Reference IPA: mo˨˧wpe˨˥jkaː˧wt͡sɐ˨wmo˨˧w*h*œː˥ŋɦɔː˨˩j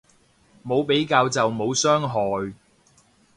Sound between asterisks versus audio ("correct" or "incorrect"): incorrect